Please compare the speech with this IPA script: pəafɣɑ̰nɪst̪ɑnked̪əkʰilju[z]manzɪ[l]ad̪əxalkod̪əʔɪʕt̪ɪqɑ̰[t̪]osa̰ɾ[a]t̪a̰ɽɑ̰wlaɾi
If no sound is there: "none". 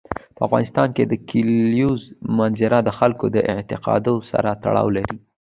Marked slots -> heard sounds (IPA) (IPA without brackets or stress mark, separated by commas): z, ɾ, d̪, a